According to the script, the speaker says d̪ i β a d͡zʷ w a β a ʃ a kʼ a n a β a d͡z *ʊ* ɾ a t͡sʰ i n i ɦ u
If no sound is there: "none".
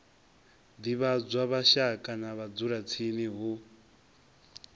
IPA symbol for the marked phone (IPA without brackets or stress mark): u